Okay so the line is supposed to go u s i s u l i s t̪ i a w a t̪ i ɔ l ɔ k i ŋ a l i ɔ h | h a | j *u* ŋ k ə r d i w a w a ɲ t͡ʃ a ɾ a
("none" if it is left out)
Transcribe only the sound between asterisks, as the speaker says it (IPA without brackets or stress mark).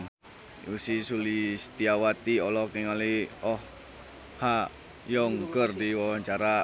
ɔ